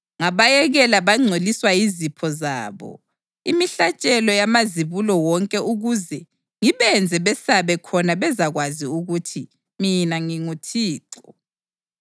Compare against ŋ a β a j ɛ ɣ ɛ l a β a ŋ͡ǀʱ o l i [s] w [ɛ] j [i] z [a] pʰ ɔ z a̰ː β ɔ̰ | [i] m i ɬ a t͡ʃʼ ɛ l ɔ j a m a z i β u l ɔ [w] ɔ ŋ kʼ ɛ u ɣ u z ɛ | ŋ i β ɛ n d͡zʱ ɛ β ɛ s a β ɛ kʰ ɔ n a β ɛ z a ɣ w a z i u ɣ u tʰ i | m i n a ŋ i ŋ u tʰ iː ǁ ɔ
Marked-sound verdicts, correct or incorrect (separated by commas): correct, incorrect, correct, incorrect, correct, correct